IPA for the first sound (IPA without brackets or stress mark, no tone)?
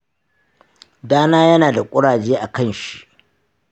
d